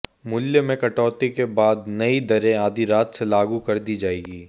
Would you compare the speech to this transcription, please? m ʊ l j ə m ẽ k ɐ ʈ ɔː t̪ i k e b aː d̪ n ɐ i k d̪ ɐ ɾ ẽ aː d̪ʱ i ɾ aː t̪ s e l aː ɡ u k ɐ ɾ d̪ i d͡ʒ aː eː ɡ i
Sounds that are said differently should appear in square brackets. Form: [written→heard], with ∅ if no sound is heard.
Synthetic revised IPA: m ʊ l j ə m ẽ k ɐ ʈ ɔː t̪ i k e b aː d̪ n ɐ i [k→∅] d̪ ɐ ɾ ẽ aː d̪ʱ i ɾ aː t̪ s e l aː ɡ u k ɐ ɾ d̪ i d͡ʒ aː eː ɡ [i→iː]